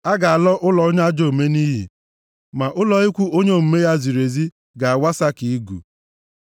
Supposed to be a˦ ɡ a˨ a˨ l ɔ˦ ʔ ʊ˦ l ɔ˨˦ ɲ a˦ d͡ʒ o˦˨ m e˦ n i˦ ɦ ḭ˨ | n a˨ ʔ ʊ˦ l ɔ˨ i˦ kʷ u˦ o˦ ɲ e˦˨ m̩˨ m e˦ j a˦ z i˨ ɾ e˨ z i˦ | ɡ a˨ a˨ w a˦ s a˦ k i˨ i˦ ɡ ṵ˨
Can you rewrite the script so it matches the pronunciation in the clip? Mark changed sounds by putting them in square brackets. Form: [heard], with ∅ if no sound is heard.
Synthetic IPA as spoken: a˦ ɡ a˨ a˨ l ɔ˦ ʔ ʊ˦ l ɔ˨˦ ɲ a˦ d͡ʒ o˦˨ m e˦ n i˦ ɦ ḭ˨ | [m] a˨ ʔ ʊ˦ l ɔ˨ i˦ kʷ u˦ o˦ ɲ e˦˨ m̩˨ m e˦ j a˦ z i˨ ɾ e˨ z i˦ | ɡ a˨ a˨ w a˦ s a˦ k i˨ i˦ ɡ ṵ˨